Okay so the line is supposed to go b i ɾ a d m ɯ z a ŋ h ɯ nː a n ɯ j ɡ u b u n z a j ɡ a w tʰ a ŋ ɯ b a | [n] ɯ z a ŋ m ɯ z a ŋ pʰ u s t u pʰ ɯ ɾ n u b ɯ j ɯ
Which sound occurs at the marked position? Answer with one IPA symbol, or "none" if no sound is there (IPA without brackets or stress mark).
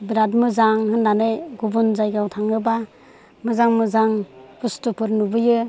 m